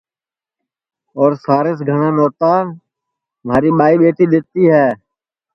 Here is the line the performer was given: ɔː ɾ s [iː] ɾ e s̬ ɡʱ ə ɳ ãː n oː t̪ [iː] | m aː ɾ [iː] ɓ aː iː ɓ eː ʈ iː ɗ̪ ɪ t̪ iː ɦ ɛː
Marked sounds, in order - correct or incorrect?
incorrect, incorrect, correct

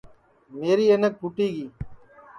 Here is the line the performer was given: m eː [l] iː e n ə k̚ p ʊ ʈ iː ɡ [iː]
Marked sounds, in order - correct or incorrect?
incorrect, correct

